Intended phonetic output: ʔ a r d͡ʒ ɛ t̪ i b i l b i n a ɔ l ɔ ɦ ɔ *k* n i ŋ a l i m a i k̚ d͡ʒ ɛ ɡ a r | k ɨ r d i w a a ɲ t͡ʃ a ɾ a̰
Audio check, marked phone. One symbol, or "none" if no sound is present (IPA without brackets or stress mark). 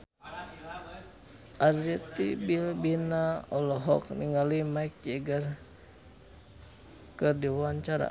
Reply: k